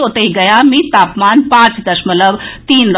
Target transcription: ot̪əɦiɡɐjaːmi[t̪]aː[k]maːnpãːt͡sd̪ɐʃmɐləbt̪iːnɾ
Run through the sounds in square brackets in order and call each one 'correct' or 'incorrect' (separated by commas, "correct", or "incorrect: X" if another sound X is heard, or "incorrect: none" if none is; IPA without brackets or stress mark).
correct, incorrect: p